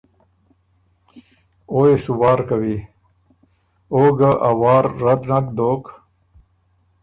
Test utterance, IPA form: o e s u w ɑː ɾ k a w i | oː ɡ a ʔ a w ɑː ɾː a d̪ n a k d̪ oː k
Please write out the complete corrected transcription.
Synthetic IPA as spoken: o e s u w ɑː ɾ k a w i | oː ɡ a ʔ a w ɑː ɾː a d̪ n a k d̪ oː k